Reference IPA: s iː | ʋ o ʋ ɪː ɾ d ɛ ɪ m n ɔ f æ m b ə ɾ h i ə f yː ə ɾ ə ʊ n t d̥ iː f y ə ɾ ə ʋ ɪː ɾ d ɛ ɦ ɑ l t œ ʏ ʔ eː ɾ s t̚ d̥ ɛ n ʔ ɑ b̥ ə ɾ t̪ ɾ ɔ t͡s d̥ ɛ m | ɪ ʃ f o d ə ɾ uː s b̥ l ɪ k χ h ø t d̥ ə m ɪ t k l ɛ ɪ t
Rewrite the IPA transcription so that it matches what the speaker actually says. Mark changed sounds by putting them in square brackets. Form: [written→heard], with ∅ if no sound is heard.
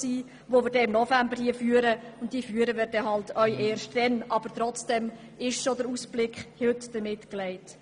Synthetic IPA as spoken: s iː | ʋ o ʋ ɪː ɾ d ɛ ɪ m n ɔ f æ m b ə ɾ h i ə f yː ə ɾ ə ʊ n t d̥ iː f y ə ɾ ə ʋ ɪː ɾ d ɛ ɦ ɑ l t œ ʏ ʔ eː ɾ [s→ʃ] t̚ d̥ ɛ n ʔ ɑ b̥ ə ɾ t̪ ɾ ɔ t͡s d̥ ɛ m | ɪ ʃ [f→ʃ] o d ə ɾ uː s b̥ l ɪ k χ h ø t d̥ ə m ɪ t k l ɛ ɪ t

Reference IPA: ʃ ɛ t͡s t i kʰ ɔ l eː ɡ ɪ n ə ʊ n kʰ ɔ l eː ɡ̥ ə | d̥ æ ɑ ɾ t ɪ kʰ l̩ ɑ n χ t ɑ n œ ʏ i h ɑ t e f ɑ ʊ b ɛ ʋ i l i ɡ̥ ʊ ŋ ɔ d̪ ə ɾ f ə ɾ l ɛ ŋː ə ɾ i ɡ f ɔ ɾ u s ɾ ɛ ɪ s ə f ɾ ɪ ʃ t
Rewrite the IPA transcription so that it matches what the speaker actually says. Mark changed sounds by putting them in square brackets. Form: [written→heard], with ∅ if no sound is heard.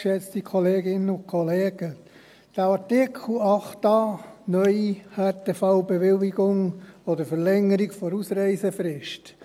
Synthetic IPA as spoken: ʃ ɛ t͡s t i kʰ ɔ l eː ɡ ɪ n ə ʊ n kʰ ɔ l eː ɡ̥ ə | d̥ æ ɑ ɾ t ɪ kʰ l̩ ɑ [n→∅] χ t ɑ n œ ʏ i h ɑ t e f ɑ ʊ b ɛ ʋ [i→ɪ] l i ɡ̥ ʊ ŋ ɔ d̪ ə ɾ f ə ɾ l ɛ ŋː ə ɾ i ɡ f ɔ ɾ u s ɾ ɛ ɪ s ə f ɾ ɪ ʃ t

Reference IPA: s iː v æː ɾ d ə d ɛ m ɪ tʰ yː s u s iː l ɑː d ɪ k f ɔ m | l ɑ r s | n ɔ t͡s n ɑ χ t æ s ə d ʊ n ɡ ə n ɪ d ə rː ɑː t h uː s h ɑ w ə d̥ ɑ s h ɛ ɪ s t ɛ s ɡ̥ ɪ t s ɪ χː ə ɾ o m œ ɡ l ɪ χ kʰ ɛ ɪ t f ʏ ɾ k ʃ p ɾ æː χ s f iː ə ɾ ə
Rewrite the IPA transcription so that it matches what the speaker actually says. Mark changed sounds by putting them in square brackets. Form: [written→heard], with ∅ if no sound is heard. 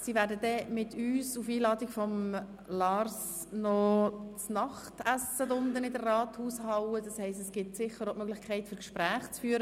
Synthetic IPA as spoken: s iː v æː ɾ d ə d ɛ m ɪ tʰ yː s u [s→f] iː l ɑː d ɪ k f ɔ m | l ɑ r s | n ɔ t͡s n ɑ χ t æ s ə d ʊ n [ɡ→d] ə n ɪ d ə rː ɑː t h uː s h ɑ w ə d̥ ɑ s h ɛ ɪ s t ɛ s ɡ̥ ɪ t s ɪ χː ə ɾ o m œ ɡ l ɪ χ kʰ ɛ ɪ t f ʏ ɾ k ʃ p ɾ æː χ [s→t͡s] f [iː→yː] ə ɾ ə

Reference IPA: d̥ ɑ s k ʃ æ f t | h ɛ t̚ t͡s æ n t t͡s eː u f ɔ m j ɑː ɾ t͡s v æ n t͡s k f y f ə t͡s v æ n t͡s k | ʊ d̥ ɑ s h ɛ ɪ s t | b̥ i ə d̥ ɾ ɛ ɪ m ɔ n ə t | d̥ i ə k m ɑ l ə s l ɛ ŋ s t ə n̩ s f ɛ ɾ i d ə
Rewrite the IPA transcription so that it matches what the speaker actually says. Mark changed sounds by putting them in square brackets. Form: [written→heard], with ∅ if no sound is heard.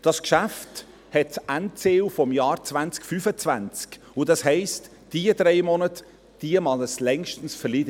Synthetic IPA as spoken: d̥ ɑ s k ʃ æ f t | h ɛ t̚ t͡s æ n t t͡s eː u f ɔ m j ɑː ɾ t͡s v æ n t͡s k f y f ə t͡s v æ n t͡s k | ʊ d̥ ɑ s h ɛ ɪ s t | [b̥→d̥] i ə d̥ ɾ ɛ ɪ m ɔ n ə t | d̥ i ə [k→∅] m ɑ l ə s l ɛ ŋ [s→ʃ] t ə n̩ s f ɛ [ɾ→l] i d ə

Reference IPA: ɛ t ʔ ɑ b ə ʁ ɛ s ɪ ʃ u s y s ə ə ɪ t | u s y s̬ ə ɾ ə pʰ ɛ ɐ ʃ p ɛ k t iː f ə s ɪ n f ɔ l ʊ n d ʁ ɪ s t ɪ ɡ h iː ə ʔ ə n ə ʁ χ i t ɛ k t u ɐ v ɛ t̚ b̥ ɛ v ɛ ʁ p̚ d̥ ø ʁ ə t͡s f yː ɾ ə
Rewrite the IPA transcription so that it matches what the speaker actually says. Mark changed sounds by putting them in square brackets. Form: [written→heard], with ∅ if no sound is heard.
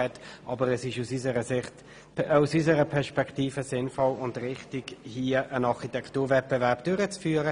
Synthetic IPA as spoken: ɛ t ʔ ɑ b ə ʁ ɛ s ɪ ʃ u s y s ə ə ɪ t | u s y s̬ ə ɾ ə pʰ ɛ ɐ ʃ p ɛ k t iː f ə s ɪ n f ɔ l ʊ n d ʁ ɪ [s→χ] t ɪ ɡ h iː ə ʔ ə n [ə→ɑ] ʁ χ i t ɛ k t [u→uː] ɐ v ɛ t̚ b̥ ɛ v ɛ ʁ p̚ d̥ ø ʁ ə t͡s f yː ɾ ə

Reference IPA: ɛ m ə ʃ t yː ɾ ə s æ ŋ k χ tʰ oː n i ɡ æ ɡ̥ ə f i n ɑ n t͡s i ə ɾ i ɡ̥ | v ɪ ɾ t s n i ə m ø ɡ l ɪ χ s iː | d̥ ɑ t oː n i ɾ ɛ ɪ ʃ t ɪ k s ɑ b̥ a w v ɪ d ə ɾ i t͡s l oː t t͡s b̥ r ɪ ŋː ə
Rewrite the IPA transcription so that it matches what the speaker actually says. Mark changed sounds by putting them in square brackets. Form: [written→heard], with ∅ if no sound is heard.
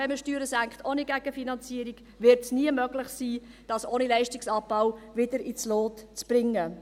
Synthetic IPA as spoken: ɛ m ə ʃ t yː ɾ ə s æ ŋ k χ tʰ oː n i ɡ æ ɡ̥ ə f i n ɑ n t͡s i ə ɾ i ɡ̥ | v ɪ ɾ t s n i ə m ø ɡ l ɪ χ s iː | d̥ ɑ [t→s] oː n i [ɾ→l] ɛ ɪ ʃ t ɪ k s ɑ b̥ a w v ɪ d ə ɾ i t͡s l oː t t͡s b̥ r ɪ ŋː ə

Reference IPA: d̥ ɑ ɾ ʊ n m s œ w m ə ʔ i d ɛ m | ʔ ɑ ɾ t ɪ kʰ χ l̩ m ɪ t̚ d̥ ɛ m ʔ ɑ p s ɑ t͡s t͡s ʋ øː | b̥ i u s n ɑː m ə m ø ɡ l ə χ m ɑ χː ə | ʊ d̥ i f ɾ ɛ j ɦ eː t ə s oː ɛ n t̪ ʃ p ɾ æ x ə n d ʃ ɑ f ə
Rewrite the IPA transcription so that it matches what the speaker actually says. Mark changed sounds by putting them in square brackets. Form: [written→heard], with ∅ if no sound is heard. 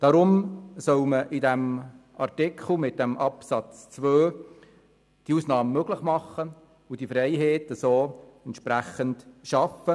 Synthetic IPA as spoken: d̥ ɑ ɾ ʊ [n→∅] m s œ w m ə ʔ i d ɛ m | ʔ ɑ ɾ t ɪ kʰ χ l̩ m ɪ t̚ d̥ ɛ m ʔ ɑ p s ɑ t͡s t͡s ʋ øː | [b̥→d̥] i u s n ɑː m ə m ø ɡ l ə χ m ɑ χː ə | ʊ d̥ i f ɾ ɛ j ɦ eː t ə s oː ɛ n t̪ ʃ p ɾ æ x ə n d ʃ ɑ f ə

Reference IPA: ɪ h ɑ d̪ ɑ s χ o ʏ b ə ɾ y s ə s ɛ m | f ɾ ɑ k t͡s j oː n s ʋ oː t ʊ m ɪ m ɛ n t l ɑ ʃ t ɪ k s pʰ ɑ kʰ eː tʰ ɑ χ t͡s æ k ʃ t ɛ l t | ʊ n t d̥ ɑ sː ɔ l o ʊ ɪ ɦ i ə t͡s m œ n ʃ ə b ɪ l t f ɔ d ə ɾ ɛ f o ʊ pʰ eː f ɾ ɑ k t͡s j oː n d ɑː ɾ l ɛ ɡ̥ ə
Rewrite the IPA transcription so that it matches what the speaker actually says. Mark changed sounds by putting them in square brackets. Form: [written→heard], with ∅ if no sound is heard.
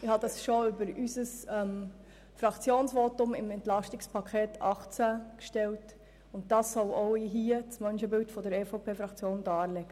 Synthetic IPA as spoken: ɪ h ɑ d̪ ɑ s [χ→ʃ] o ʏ b ə ɾ y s ə s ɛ m | f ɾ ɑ k t͡s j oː n s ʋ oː t ʊ m ɪ m ɛ n t l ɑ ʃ t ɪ k s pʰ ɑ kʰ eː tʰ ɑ χ t͡s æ k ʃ t ɛ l t | ʊ n t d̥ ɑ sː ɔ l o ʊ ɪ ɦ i ə t͡s m œ n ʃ ə b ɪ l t f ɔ d ə ɾ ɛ f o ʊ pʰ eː f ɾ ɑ k t͡s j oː n d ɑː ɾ l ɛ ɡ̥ ə

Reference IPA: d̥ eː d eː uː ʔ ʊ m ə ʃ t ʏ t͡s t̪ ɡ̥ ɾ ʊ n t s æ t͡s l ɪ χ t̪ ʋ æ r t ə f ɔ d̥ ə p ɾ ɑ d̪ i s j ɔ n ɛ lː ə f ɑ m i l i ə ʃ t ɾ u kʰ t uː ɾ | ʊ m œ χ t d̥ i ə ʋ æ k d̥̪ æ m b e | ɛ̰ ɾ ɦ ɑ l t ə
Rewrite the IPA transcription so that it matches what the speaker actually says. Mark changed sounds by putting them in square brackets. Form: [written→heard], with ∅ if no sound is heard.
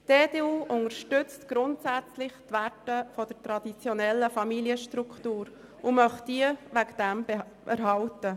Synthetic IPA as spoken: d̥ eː d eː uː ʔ ʊ [m→ŋ] ə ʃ t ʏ t͡s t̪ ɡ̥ ɾ ʊ n t s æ t͡s l ɪ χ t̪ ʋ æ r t ə f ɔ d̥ ə [p→t] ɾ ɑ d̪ i [s→t͡s] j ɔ n ɛ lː ə f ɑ m i l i ə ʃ t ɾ u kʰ t uː ɾ | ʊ m œ χ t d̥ i ə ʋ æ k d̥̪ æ m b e | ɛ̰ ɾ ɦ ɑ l t ə

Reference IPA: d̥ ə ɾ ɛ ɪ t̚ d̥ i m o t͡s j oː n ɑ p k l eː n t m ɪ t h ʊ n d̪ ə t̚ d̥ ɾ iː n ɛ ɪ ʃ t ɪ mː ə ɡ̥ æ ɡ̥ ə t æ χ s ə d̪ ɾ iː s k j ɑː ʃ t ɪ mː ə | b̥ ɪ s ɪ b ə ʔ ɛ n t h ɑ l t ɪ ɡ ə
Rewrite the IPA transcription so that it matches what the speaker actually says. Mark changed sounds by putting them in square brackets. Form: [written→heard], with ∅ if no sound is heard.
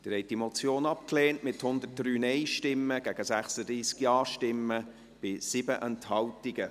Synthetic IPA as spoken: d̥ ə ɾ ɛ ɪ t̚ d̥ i m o t͡s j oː n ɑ p k l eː n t m ɪ t h ʊ n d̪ ə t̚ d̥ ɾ [iː→yː] n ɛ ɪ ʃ t ɪ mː ə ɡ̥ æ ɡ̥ ə [t→s] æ χ s ə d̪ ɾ iː s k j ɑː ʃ t ɪ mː ə | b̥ ɪ s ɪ b ə ʔ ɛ n t h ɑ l t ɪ ɡ ə

